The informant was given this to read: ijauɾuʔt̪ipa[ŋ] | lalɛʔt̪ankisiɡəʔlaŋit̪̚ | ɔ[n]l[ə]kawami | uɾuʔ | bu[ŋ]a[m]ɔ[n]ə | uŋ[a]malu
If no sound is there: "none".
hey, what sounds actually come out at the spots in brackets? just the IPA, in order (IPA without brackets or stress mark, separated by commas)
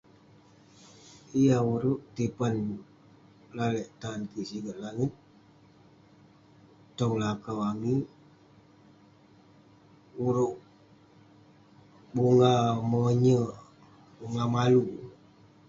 n, ŋ, a, ŋ, m, ɲ, a